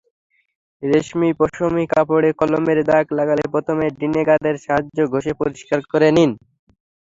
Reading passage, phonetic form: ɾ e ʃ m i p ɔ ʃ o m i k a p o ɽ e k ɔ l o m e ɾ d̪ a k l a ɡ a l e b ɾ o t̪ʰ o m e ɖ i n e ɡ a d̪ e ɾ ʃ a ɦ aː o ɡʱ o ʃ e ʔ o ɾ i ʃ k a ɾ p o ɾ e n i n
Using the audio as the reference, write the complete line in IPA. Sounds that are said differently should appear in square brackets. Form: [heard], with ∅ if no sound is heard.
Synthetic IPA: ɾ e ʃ m i p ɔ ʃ o m i k a p o ɽ e k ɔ l o m e ɾ d̪ a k l a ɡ a l e [p] ɾ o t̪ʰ o m e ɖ i n e ɡ a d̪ e ɾ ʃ a ɦ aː o ɡʱ o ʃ e [p] o ɾ i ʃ k a ɾ [k] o ɾ e n i n